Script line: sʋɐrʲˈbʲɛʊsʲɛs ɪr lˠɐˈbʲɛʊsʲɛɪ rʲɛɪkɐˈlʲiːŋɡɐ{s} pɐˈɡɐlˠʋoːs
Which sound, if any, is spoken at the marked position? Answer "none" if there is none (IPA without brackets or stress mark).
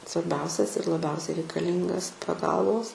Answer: s